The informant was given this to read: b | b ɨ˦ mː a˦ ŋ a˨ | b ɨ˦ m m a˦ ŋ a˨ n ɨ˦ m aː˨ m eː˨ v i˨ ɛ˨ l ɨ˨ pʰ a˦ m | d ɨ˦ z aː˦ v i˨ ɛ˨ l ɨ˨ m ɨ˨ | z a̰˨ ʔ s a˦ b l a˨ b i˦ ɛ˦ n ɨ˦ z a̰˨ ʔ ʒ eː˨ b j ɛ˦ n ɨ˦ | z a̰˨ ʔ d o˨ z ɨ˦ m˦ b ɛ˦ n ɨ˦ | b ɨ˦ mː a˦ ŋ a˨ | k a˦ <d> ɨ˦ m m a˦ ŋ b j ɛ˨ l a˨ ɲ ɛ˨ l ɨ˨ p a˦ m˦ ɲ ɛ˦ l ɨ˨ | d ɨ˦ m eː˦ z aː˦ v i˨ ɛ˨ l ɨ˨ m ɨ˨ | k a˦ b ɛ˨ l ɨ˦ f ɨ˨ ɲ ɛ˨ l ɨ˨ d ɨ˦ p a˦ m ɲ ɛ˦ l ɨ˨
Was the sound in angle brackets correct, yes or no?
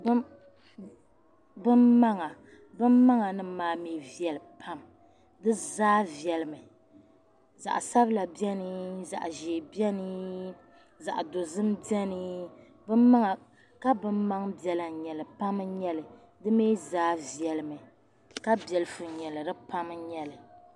no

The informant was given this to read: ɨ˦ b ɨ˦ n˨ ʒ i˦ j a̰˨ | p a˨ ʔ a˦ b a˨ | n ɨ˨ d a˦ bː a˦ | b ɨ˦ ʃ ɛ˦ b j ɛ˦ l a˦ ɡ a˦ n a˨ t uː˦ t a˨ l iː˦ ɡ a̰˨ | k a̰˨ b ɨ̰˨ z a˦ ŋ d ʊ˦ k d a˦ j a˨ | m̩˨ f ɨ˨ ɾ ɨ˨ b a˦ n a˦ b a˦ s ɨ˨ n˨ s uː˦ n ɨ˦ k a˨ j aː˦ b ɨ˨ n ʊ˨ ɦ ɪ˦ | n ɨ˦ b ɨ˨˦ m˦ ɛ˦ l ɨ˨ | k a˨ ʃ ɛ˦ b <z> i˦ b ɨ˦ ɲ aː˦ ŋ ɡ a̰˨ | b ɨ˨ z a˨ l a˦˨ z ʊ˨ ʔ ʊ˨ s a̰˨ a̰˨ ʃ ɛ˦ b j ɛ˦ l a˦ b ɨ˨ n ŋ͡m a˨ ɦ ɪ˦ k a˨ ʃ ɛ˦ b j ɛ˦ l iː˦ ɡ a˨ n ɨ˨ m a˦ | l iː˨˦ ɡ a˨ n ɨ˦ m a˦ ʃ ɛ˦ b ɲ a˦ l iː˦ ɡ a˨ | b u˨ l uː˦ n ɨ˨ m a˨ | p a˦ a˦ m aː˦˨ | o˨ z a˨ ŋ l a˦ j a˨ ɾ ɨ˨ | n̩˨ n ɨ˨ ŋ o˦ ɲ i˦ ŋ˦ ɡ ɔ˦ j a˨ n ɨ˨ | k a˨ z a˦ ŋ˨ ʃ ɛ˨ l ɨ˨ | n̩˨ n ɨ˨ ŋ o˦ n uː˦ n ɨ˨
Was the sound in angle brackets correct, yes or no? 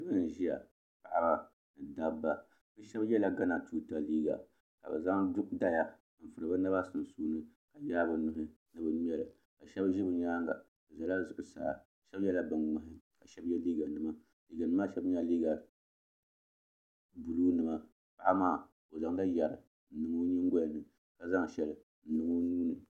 no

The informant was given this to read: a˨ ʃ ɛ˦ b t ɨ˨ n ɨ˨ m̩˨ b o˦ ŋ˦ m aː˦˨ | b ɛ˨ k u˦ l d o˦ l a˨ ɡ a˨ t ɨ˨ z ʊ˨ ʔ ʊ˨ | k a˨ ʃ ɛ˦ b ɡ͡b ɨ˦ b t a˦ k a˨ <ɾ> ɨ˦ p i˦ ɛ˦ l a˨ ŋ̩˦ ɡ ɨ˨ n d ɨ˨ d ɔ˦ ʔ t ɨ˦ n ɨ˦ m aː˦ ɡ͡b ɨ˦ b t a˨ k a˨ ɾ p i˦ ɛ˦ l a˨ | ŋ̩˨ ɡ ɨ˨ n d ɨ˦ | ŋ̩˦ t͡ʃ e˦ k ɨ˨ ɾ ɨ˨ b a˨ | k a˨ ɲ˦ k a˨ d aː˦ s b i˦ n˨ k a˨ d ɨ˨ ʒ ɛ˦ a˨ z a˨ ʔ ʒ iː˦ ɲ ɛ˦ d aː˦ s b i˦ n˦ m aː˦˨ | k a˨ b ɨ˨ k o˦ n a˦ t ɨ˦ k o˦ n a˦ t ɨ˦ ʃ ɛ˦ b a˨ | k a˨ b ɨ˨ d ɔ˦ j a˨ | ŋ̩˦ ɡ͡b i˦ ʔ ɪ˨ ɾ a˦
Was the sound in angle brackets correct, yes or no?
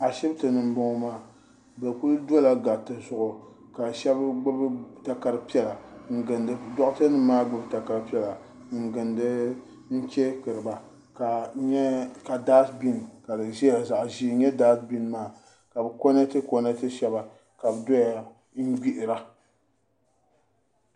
yes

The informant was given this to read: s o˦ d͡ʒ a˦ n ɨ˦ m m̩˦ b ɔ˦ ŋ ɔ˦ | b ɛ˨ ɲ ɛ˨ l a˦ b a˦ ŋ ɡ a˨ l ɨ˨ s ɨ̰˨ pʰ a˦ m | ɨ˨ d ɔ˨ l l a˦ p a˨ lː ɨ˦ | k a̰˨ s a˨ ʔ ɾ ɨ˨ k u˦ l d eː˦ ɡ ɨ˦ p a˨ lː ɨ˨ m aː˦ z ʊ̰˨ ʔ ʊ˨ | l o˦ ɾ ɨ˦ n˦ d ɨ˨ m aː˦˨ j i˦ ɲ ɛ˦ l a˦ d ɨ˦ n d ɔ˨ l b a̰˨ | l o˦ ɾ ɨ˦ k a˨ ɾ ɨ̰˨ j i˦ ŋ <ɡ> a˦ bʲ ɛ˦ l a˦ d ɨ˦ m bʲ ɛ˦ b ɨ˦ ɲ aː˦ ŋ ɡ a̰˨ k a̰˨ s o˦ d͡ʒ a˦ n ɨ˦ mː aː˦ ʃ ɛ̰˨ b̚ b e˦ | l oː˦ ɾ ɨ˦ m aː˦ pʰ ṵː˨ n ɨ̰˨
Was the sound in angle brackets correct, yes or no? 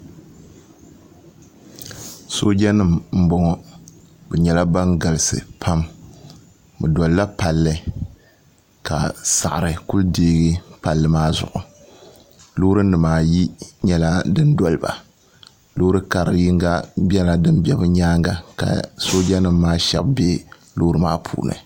yes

